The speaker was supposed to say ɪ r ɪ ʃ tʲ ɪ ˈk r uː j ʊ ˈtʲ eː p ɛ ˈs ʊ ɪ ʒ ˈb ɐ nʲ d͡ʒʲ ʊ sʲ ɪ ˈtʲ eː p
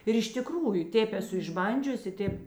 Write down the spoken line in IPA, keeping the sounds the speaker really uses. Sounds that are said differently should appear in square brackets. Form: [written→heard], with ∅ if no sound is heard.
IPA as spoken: ɪ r ɪ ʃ tʲ ɪ ˈk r uː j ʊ ˈtʲ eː p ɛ ˈs ʊ ɪ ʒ ˈb ɐ nʲ d͡ʒʲ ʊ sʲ ɪ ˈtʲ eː p